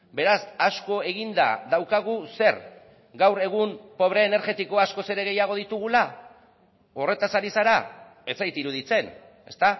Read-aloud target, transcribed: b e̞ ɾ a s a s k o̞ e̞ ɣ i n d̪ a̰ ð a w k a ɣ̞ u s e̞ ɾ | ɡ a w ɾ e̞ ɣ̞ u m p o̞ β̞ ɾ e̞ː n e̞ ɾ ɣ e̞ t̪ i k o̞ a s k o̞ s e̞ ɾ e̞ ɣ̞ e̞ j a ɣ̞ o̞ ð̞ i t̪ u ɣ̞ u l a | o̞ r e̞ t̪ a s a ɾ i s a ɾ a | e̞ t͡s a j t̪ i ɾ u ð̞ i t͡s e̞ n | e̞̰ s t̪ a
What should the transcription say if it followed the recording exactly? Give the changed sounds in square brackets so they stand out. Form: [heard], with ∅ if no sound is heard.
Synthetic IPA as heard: b e̞ ɾ a s a s k o̞ e̞ ɣ i n d̪ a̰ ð a w k a ɣ̞ u s e̞ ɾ | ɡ a w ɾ e̞ ɣ̞ u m p o̞ β̞ ɾ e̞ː n e̞ ɾ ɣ e̞ t̪ i k o̞ a s k o̞ s e̞ ɾ e̞ ɣ̞ e̞ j a ɣ̞ o̞ ð̞ i t̪ u ɣ̞ u l a | o̞ r e̞ t̪ a s a ɾ i s a ɾ a | e̞ t͡s a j t̪ i ɾ u ð̞ i t͡s e̞ n | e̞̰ s t̪ a